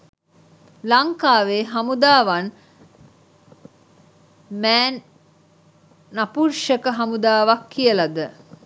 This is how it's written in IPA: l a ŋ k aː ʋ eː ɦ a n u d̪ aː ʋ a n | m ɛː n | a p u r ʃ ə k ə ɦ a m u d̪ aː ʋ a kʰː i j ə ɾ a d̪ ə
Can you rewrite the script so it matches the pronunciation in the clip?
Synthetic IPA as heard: l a ŋ k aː ʋ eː ɦ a m u d̪ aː ʋ a n | m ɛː n | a p u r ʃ ə k ə ɦ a m u d̪ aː ʋ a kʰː i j ə l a d̪ ə